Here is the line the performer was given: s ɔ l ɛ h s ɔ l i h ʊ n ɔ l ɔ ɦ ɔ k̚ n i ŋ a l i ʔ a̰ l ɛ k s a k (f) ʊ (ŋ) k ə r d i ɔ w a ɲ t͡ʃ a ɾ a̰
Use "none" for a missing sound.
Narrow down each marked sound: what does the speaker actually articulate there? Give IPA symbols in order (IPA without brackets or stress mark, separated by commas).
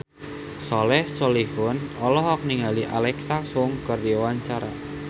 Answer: s, ŋ